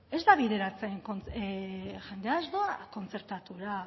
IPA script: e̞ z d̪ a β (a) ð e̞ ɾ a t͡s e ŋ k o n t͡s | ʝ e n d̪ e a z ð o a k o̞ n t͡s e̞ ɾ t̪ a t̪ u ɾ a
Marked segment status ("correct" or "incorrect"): incorrect